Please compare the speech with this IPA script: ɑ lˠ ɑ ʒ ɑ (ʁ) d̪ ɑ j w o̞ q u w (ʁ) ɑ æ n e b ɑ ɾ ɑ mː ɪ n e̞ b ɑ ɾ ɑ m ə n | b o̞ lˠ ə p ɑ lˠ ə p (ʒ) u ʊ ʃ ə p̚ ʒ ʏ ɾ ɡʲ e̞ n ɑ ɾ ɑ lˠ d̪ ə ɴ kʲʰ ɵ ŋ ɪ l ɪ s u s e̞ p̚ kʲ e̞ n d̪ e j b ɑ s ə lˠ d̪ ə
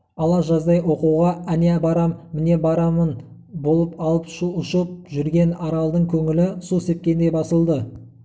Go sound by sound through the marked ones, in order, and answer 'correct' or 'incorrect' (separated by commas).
incorrect, correct, incorrect